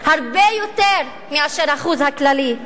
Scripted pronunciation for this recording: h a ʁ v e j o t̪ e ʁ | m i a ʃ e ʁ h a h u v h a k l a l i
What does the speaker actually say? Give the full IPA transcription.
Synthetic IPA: h a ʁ b e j o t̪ e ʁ | m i a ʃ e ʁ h a χ u z h a k l a l i